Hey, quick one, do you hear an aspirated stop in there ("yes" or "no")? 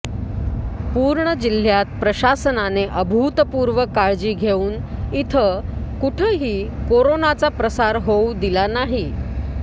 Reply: yes